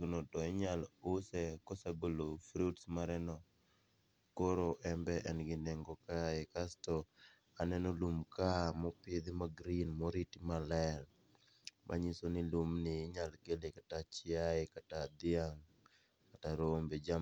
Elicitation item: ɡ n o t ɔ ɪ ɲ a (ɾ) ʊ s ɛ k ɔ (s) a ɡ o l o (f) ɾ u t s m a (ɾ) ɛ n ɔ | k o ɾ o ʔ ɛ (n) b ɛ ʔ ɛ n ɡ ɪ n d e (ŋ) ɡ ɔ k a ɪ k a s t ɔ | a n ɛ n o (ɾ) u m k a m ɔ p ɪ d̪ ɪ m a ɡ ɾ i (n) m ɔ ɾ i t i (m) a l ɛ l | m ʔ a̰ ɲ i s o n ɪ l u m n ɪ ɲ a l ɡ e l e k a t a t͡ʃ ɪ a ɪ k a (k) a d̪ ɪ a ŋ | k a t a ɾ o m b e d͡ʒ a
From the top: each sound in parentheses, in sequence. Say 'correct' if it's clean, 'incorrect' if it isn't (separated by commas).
incorrect, correct, correct, correct, incorrect, correct, incorrect, correct, correct, incorrect